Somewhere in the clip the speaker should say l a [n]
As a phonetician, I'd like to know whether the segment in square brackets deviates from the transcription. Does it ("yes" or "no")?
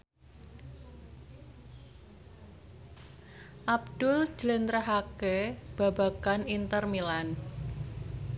no